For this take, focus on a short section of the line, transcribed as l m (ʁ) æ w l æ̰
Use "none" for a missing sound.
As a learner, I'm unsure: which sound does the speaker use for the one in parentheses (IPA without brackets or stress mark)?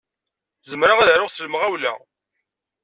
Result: ʁ